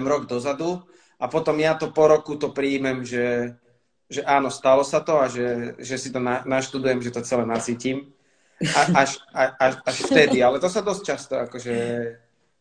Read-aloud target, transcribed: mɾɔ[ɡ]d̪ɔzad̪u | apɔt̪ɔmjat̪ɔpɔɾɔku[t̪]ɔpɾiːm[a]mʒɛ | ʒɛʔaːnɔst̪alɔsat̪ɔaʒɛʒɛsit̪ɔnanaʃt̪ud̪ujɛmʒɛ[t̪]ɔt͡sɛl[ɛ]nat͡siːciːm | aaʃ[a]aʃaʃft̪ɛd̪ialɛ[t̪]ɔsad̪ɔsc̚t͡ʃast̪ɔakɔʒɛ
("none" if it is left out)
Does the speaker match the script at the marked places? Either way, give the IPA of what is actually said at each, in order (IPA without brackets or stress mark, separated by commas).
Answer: ɡ, t̪, ɛ, t̪, ɛ, a, t̪